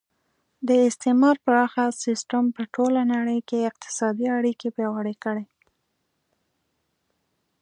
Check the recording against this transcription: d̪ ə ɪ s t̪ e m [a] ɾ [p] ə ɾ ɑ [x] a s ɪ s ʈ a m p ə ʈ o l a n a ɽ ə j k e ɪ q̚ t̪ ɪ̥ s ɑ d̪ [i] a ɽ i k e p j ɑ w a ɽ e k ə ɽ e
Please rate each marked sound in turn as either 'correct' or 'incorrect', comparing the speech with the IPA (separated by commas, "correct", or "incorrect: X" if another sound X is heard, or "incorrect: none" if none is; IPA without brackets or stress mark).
incorrect: ɑ, correct, correct, correct